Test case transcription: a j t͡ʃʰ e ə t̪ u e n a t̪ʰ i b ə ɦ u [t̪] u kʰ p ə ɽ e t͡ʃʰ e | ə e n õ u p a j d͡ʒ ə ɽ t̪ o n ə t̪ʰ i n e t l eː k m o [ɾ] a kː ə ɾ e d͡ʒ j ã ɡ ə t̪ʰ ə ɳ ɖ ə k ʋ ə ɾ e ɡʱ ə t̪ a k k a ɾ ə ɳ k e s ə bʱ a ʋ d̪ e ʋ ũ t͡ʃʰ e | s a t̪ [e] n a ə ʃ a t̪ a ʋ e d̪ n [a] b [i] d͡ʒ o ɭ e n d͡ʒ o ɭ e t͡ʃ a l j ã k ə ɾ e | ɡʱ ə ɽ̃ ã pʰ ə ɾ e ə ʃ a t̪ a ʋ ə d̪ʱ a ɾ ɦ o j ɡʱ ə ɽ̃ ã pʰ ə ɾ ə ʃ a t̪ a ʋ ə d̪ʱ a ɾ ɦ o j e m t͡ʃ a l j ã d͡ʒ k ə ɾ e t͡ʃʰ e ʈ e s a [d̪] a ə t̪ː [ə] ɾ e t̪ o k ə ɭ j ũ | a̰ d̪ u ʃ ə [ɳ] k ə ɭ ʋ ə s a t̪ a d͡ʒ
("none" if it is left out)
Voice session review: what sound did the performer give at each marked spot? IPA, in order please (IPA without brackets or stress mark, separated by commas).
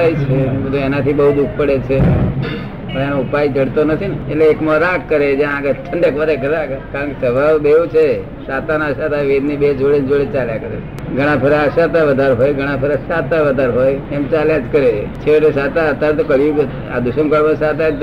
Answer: d̪, ɾ, a, i, e, t̪, a, m